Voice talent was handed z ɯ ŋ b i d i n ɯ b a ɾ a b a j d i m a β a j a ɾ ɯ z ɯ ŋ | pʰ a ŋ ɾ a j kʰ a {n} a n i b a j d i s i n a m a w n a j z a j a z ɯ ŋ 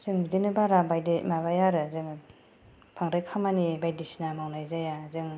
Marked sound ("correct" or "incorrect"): incorrect